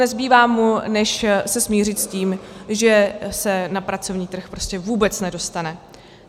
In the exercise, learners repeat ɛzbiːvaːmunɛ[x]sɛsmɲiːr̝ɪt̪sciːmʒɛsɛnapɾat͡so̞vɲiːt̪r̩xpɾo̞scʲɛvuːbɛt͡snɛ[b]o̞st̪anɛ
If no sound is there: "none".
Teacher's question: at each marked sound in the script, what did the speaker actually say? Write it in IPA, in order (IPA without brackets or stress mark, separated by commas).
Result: ʃ, d